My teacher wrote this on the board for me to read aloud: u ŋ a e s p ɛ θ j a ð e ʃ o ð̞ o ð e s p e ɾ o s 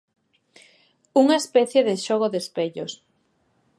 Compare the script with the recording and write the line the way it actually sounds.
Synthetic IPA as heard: u ŋ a e s p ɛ θ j e ð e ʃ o ɣ̞ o ð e s p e ʎ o s